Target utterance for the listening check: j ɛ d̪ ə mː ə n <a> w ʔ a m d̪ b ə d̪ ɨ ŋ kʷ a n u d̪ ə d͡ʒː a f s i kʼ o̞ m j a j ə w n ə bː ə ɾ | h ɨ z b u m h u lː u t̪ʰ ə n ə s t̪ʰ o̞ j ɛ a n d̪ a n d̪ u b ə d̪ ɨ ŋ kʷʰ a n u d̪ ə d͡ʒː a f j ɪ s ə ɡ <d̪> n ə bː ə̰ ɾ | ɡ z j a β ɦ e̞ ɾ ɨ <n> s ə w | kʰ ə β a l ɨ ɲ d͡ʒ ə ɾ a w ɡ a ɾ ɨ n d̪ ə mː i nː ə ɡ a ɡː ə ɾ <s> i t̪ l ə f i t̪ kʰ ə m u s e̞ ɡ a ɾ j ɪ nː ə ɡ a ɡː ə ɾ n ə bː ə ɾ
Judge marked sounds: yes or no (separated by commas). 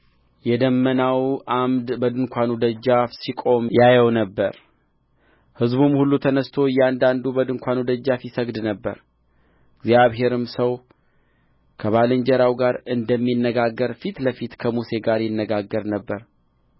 yes, yes, no, no